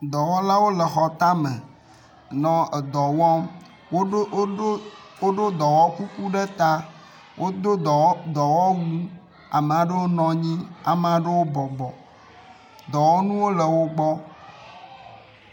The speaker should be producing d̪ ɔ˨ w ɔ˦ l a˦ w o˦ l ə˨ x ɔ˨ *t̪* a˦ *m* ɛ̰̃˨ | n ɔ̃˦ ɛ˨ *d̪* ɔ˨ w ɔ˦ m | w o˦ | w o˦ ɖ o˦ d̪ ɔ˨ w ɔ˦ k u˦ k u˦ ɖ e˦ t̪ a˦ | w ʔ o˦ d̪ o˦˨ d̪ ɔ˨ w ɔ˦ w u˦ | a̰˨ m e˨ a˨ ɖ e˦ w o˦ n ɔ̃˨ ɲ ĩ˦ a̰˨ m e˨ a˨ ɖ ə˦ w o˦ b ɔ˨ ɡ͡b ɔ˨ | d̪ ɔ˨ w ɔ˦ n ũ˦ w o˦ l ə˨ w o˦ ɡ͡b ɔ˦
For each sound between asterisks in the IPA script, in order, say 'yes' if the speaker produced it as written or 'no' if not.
yes, yes, yes

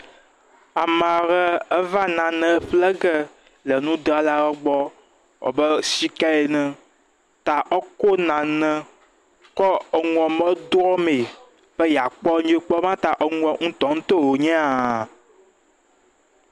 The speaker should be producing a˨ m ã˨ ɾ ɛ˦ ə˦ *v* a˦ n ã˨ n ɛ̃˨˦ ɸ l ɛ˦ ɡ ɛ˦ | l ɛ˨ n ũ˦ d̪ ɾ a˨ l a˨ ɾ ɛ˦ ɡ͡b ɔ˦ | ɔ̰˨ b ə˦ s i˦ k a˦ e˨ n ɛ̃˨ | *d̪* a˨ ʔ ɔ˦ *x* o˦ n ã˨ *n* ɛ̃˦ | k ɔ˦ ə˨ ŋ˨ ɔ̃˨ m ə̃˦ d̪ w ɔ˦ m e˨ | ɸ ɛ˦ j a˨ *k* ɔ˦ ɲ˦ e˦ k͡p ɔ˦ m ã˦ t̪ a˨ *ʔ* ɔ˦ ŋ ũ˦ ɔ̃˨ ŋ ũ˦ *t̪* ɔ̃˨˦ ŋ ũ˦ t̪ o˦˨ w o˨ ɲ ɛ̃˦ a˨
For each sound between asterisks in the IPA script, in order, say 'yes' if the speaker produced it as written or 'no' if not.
yes, no, no, yes, no, yes, yes

